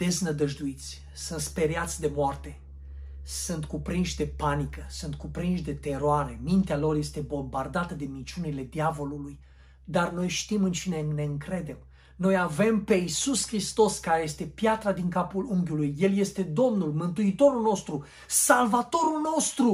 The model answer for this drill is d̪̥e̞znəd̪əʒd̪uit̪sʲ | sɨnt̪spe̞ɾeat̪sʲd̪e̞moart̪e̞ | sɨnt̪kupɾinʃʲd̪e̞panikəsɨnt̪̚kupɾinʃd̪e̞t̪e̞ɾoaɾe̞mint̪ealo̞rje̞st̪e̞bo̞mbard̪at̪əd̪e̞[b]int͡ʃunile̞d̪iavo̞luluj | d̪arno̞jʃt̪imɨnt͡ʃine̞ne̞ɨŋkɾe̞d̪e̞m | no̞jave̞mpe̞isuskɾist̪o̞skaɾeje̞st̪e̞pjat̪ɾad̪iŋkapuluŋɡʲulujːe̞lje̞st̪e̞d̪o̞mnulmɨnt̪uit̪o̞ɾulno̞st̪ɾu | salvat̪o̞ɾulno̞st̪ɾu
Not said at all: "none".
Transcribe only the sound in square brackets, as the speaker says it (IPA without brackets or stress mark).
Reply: m